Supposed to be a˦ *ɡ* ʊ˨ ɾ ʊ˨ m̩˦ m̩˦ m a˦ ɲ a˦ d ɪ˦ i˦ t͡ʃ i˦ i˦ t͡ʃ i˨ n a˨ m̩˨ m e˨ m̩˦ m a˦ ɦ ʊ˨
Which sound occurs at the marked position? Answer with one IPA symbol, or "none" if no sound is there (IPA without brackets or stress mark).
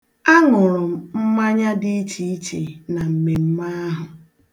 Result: ŋ